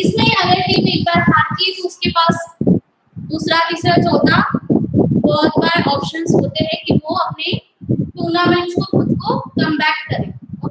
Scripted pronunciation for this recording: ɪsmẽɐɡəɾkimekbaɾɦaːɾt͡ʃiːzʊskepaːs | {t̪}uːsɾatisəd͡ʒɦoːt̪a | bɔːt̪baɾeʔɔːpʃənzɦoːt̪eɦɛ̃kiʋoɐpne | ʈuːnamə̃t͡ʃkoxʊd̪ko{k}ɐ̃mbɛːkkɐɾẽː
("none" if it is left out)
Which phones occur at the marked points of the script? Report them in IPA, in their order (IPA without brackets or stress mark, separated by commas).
d̪, k